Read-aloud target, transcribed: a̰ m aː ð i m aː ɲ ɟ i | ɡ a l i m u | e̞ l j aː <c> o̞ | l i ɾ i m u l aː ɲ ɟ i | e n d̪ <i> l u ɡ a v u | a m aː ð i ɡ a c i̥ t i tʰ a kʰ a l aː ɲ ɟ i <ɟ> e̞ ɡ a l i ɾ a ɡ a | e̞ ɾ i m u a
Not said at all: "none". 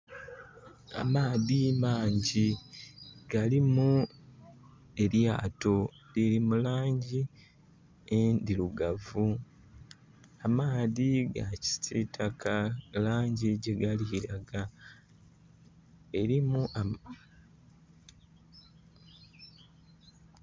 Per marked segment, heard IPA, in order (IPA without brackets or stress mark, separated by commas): t, i, ɟ